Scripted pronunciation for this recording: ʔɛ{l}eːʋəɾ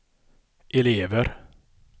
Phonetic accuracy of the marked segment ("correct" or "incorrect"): correct